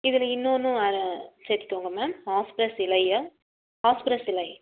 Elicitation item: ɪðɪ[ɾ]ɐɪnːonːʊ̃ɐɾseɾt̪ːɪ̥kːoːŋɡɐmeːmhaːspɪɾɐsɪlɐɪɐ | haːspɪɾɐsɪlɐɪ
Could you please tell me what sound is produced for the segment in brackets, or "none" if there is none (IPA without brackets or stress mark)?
l